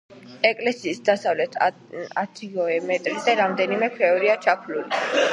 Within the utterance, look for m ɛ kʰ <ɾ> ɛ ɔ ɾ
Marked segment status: correct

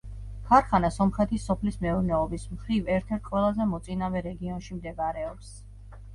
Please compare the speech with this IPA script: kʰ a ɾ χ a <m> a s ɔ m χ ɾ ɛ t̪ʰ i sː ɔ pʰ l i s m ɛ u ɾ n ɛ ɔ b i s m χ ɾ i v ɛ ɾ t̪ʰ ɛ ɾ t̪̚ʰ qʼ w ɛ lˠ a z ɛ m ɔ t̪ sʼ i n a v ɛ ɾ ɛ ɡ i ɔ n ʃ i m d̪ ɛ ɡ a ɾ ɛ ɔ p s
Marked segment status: incorrect: n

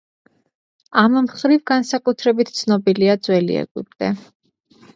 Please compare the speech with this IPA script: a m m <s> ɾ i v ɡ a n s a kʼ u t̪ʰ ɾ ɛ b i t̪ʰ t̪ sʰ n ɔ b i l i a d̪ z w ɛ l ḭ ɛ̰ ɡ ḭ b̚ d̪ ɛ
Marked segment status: incorrect: χ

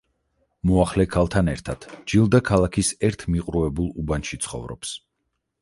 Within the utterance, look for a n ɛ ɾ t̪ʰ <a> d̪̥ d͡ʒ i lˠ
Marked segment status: correct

